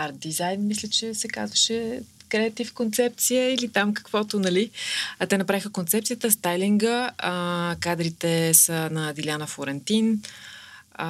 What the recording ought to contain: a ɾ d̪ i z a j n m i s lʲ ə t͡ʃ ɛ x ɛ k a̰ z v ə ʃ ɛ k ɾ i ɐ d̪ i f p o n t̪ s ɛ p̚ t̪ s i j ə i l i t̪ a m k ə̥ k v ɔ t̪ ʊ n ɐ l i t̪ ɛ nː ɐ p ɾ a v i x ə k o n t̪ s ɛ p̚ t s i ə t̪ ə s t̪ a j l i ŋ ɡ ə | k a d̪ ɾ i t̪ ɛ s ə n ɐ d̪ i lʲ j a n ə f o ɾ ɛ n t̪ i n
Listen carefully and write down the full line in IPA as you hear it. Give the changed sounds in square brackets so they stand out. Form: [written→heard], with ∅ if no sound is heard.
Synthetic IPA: a ɾ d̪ i z a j n m i s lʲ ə t͡ʃ ɛ [x→s] ɛ k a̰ z v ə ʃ ɛ k ɾ [i→ɛ] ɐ [d̪→t̪] i f [p→k] o n t̪ s ɛ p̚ t̪ s i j ə i l i t̪ a m k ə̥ k v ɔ t̪ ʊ n ɐ l i t̪ ɛ [nː→n] ɐ p ɾ a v i x ə k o n t̪ s ɛ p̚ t s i ə t̪ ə s t̪ a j l i ŋ ɡ ə | k a d̪ ɾ i t̪ ɛ s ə n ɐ d̪ i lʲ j a n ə f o ɾ ɛ n t̪ i n